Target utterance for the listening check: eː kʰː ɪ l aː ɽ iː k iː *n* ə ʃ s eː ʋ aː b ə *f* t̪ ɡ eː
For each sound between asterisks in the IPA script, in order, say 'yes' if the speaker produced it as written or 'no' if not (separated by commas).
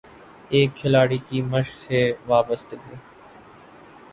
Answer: no, no